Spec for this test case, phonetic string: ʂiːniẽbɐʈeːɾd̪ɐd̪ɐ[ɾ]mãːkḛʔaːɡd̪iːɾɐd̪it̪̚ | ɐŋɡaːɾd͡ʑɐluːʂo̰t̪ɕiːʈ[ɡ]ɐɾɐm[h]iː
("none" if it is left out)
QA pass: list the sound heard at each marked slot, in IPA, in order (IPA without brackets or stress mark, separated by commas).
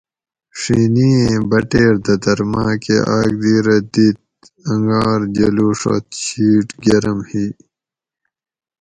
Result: ɾ, ɡ, h